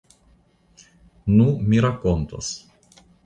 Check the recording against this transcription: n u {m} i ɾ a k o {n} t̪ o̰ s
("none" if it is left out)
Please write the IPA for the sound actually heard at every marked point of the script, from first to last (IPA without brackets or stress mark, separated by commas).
m, n